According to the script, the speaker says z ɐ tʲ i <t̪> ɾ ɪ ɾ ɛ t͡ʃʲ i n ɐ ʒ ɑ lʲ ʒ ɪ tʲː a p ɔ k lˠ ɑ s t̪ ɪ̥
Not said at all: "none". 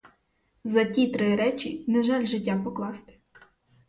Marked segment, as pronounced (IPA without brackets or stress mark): t̪